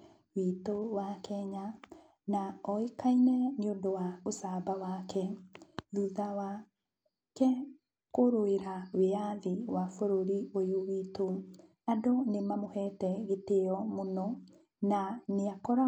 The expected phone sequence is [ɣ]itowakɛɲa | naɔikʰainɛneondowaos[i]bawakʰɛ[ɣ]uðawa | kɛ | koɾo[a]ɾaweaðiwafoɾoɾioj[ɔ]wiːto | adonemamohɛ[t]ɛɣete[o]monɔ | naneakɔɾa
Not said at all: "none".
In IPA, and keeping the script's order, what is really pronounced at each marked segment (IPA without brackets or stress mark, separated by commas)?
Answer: w, a, ð, e, o, t, ɔ